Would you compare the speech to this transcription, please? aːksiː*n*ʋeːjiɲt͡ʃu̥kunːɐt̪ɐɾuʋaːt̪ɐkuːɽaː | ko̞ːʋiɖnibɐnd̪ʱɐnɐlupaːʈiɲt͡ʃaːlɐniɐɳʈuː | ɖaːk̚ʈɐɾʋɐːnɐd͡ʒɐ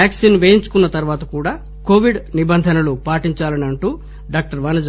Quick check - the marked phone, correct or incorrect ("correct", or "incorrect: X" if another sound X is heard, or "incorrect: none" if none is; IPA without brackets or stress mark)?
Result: correct